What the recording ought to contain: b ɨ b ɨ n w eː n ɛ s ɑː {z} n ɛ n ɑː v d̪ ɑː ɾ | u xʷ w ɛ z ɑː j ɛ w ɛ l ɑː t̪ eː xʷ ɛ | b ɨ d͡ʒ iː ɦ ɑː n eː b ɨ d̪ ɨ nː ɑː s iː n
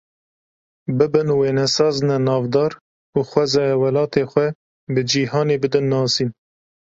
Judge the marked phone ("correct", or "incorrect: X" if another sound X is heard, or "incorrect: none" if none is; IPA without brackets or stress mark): correct